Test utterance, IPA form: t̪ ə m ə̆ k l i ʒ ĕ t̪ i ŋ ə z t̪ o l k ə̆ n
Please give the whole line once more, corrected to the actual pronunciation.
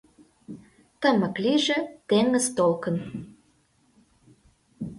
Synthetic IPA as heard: t̪ ə m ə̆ k l i ʒ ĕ t̪ e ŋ ə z t̪ o l k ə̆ n